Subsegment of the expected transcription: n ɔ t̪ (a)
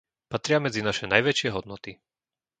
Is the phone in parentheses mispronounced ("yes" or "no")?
yes